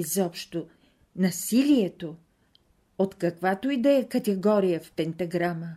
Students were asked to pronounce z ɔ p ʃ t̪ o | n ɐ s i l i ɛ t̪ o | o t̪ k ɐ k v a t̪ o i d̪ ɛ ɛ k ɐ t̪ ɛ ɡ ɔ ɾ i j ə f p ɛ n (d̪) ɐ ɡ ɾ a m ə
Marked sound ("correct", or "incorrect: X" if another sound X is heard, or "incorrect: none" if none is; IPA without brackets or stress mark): incorrect: t̪